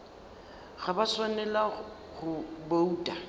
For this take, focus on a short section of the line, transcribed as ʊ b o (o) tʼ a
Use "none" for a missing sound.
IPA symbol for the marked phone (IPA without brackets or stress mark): u